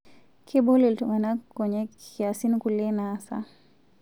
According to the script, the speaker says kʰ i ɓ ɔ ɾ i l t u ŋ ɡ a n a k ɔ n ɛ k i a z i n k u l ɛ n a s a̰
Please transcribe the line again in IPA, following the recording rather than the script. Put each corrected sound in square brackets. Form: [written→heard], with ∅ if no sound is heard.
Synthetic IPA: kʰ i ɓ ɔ [ɾ→l] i l t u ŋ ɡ a n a k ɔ [n→ɲ] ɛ k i a [z→s] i n k u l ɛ n a s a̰